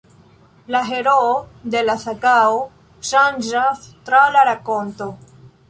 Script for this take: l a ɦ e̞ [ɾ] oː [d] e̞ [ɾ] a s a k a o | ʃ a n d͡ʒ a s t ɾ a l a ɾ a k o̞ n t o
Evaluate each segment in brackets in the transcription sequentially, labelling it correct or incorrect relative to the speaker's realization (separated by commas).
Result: correct, correct, incorrect